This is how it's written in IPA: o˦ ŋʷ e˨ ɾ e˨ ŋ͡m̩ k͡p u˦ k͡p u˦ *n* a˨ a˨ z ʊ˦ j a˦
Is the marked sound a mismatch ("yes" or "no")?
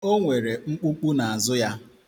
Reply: no